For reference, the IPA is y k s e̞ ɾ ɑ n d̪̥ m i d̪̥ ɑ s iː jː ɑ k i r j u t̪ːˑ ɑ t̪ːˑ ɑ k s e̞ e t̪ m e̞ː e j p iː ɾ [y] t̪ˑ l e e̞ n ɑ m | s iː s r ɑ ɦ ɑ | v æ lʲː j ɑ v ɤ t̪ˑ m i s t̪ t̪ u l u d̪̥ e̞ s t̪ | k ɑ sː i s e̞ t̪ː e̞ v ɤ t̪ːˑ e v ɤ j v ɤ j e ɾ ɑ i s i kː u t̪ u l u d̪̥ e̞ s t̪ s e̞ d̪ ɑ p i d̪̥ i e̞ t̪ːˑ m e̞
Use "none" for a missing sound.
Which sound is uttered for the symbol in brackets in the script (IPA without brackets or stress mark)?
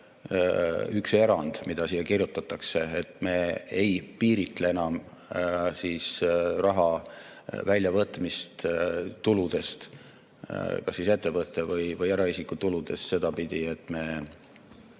i